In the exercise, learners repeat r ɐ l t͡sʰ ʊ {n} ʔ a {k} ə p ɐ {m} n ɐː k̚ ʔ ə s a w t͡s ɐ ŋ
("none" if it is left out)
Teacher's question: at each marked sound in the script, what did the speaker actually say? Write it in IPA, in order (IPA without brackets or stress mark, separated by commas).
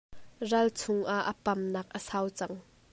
ŋ, ʔ, m